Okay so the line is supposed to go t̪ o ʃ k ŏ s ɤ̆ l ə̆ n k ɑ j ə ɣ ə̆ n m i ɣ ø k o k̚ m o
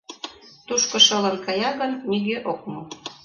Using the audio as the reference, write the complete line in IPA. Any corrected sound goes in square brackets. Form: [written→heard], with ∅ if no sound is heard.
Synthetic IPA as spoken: t̪ [o→u] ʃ k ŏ [s→ʃ] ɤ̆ l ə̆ n k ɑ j [ə→ɑ] ɣ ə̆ n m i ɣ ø [k→ʔ] o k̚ m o